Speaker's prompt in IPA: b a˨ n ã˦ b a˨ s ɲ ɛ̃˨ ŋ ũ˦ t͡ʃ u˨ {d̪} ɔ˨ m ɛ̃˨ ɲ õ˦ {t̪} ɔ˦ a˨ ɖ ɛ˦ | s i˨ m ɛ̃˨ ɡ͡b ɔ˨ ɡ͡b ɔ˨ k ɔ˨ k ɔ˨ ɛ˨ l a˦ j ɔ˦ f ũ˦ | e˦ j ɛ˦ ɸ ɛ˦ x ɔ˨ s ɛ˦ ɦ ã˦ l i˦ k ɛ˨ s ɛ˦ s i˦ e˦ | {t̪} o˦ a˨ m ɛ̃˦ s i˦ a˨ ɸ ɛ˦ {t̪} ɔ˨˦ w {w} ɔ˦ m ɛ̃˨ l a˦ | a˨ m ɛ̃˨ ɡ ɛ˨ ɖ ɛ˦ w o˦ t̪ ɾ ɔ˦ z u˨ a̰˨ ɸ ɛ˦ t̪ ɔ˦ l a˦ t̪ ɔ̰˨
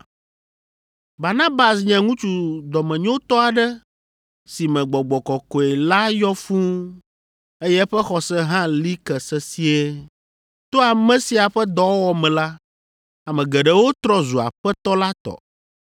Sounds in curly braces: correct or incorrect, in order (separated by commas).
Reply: correct, correct, correct, incorrect, correct